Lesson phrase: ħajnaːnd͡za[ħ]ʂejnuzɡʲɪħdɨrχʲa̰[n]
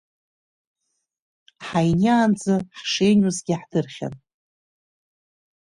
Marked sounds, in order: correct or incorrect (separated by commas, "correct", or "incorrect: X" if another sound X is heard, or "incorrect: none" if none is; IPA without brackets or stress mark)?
correct, correct